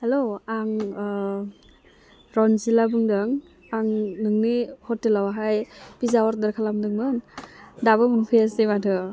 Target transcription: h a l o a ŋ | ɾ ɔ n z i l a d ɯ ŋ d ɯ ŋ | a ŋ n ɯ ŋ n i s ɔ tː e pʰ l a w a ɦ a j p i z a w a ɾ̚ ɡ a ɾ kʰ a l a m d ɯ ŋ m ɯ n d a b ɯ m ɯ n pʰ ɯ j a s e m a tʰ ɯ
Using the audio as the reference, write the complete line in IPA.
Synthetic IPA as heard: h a l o a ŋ | ɾ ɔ n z i l a b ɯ ŋ d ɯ ŋ | a ŋ n ɯ ŋ n i h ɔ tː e l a w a ɦ a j p i z a w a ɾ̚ d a ɾ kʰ a l a m d ɯ ŋ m ɯ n d a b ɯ m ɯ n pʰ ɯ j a s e m a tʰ ɯ